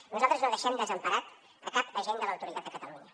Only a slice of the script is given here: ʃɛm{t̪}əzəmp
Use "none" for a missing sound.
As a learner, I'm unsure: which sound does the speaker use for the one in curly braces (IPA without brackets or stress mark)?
d̪